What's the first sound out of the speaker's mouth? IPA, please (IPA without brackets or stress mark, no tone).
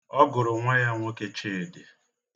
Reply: ɔ